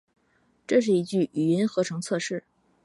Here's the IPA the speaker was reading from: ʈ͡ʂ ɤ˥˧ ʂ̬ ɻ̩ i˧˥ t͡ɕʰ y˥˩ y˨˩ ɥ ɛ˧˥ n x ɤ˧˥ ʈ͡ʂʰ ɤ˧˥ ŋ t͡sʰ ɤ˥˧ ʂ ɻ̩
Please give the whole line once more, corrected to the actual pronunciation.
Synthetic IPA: ʈ͡ʂ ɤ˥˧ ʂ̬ ɻ̩ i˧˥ t͡ɕ y˥˩ y˨˩ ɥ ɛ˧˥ n x ɤ˧˥ ʈ͡ʂʰ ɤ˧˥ ŋ t͡sʰ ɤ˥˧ ʂ ɻ̩